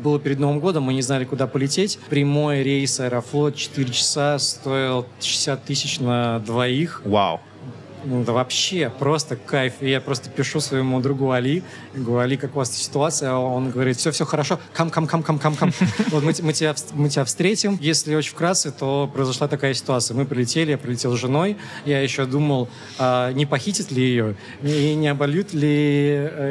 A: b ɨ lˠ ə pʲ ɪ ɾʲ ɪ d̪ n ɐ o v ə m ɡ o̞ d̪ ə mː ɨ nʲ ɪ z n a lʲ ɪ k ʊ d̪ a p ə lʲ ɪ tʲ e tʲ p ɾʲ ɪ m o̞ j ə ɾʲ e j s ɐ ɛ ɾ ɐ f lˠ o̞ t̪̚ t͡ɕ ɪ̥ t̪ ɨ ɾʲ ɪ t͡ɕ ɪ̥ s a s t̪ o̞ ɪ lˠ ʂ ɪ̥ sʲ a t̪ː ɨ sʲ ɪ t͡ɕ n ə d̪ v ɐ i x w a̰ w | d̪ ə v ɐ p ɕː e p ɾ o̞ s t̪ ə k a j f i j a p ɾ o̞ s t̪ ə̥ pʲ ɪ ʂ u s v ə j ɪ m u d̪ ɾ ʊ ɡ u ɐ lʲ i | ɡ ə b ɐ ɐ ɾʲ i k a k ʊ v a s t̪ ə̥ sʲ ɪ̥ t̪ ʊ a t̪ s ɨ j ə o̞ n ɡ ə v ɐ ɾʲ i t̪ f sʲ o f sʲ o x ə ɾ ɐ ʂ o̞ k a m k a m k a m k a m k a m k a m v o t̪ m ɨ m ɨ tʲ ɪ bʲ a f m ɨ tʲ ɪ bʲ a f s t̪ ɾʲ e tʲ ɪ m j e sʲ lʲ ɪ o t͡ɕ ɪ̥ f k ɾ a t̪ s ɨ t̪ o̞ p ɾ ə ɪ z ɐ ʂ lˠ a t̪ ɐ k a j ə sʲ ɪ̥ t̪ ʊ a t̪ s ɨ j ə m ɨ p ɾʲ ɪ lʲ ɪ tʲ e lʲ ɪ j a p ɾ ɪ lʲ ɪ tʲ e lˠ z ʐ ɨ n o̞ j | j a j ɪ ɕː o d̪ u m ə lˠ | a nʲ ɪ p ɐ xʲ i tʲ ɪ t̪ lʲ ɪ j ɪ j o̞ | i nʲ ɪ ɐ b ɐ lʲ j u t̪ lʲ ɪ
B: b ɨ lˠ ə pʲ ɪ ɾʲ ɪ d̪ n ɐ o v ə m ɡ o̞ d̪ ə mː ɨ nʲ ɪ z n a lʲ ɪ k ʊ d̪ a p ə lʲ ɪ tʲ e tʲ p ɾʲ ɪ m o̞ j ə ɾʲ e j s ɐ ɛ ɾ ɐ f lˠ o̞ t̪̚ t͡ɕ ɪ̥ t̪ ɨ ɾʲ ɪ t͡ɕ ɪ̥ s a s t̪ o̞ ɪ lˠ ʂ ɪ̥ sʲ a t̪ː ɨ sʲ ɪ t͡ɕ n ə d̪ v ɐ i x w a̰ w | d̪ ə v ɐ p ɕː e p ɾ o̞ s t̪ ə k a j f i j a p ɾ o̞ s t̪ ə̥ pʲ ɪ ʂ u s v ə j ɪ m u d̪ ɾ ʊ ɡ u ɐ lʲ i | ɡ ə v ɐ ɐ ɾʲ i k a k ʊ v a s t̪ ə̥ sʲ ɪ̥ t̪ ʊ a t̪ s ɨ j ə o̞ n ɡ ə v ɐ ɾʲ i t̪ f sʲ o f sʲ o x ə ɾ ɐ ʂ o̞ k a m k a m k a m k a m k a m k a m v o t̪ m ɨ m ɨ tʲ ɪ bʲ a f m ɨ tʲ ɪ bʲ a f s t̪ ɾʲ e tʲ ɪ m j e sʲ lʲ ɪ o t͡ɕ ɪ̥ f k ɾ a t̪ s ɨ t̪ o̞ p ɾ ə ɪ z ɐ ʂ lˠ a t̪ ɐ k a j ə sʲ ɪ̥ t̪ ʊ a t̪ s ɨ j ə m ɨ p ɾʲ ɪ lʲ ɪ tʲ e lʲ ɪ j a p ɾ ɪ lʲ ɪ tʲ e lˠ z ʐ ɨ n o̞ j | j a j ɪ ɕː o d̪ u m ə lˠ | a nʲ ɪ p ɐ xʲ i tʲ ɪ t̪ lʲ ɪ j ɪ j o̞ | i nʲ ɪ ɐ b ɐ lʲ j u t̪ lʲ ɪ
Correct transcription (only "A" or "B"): B